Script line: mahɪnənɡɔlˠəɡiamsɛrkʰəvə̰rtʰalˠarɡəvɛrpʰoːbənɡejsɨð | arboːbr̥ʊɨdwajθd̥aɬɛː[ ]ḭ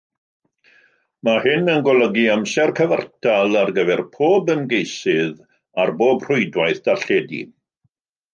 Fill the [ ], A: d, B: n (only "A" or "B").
A